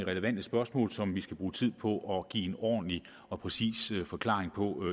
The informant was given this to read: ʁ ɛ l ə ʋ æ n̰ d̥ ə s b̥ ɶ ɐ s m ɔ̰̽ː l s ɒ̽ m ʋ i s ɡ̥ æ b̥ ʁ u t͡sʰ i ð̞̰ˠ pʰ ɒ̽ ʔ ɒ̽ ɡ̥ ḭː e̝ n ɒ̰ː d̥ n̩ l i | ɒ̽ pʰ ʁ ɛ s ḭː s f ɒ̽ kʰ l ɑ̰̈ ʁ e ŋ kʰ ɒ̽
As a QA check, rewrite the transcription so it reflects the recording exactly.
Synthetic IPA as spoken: ʁ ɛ l ə ʋ æ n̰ d̥ ə s b̥ ɶ ɐ s m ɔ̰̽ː l s ɒ̽ m ʋ i s ɡ̥ æ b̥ ʁ uː t͡sʰ i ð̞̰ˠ pʰ ɒ̽ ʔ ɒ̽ ɡ̥ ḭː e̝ n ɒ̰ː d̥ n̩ l i | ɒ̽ pʰ ʁ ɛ s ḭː s f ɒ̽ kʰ l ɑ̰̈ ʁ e ŋ pʰ ɒ̽